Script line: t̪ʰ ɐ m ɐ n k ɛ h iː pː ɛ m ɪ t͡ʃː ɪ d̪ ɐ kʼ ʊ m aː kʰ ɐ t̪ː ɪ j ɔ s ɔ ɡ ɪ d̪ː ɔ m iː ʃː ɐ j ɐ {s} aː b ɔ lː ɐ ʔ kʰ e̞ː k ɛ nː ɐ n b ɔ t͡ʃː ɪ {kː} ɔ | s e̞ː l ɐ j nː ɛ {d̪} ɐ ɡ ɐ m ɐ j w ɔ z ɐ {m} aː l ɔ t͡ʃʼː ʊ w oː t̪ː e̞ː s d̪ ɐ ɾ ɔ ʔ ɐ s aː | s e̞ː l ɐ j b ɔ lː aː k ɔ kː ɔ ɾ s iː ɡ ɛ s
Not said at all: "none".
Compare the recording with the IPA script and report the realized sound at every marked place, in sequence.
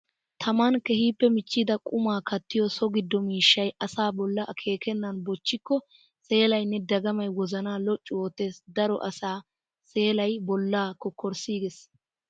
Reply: s, kː, d̪, n

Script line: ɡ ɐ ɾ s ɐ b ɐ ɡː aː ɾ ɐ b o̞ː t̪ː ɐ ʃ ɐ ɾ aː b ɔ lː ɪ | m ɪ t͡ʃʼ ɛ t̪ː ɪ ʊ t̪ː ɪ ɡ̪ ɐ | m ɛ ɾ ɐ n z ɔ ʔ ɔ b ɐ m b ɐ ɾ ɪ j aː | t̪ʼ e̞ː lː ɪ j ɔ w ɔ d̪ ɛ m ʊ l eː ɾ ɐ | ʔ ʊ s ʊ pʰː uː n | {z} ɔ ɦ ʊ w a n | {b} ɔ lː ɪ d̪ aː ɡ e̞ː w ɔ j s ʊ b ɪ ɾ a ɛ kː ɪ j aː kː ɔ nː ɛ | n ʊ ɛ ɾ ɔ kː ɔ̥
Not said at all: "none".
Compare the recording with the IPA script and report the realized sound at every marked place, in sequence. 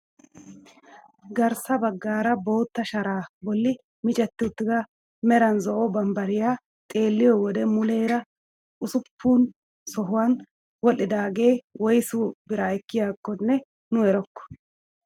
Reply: s, w

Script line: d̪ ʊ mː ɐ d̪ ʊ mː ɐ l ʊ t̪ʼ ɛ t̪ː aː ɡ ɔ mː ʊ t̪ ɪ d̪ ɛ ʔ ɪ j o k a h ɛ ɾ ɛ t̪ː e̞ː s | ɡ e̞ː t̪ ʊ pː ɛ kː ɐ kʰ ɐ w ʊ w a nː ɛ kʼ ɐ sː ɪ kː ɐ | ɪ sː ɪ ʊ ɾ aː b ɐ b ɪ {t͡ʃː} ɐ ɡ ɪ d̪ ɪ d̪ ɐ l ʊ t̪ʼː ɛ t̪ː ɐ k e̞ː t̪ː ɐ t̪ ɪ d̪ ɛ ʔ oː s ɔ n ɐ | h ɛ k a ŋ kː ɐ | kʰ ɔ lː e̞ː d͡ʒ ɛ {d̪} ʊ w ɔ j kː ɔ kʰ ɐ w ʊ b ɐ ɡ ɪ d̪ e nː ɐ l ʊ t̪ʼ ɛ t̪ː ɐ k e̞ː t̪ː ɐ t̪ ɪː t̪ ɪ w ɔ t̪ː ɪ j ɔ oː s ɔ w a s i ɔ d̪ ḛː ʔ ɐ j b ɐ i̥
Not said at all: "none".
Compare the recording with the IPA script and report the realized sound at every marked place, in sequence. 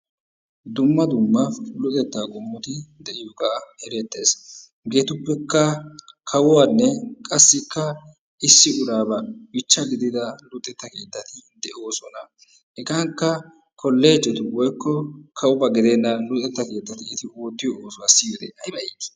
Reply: t͡ʃː, t̪

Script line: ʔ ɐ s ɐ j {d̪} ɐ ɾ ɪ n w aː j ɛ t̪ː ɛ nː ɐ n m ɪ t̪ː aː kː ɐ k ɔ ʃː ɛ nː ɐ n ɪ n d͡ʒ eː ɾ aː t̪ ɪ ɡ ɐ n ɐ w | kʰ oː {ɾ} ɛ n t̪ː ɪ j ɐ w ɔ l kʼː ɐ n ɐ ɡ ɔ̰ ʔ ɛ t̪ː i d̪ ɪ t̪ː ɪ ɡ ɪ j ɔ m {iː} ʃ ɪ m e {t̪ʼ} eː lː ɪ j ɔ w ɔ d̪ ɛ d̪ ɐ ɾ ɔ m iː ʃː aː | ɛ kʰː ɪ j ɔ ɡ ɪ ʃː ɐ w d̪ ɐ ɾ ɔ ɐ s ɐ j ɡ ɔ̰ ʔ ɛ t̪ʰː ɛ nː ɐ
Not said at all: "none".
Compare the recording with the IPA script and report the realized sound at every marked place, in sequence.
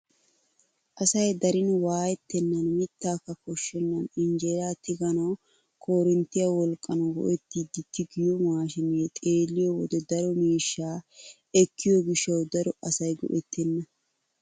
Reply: d̪, ɾ, aː, t̪ʼ

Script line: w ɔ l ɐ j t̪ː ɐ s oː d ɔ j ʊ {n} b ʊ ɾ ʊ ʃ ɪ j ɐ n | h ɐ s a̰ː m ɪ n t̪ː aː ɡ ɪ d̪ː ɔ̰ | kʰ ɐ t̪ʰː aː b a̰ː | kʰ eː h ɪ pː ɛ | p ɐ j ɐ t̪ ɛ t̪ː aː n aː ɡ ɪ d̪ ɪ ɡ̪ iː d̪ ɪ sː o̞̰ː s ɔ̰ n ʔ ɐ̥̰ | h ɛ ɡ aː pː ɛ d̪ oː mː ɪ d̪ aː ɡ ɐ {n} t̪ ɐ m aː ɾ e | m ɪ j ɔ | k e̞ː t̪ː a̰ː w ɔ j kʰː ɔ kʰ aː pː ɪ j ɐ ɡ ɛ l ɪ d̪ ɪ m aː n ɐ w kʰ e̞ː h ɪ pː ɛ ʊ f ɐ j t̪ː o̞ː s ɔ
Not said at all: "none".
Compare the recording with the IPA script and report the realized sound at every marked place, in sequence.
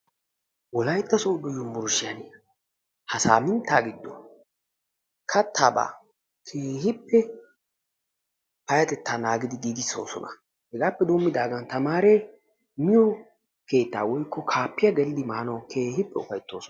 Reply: m, n

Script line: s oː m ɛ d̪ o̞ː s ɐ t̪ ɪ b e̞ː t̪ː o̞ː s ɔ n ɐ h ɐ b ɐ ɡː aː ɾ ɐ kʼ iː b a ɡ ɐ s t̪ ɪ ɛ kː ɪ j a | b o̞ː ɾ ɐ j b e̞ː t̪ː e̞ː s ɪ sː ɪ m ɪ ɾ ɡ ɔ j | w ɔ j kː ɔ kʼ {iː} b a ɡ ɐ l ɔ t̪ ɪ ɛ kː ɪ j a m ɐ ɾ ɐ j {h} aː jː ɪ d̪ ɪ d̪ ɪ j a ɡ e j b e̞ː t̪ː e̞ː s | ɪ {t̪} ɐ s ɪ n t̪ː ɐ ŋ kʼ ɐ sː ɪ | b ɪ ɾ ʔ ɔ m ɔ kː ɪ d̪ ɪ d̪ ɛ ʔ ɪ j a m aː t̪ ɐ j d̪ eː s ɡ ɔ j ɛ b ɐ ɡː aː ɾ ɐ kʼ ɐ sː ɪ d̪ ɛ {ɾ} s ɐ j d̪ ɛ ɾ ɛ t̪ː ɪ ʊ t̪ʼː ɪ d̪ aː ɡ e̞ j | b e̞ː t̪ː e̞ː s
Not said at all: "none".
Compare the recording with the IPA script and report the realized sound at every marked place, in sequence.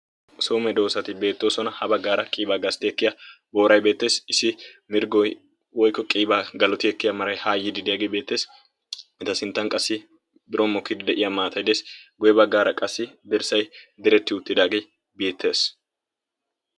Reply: iː, h, t̪, ɾ

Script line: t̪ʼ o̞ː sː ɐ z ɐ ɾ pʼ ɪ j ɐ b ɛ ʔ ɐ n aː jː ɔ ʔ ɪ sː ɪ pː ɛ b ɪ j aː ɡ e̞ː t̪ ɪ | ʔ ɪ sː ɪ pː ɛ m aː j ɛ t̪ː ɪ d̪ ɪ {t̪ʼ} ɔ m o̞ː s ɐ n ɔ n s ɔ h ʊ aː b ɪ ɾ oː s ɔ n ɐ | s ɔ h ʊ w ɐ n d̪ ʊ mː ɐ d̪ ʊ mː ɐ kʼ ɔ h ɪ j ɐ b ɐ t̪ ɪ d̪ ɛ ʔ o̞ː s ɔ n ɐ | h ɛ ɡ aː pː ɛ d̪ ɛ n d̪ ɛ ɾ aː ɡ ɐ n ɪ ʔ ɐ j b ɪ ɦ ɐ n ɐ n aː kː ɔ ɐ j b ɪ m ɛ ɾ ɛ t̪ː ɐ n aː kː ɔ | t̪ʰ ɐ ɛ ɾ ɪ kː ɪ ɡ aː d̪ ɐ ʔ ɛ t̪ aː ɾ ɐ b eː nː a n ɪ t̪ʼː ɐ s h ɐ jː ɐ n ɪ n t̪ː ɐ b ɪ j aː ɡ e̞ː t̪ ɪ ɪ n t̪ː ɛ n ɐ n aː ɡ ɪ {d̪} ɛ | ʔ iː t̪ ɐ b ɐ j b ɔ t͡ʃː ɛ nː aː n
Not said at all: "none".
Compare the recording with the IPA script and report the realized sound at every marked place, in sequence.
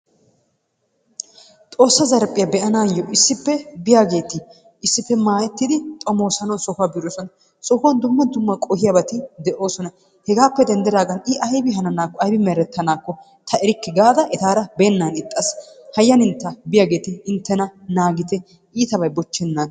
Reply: t̪ʼ, t̪

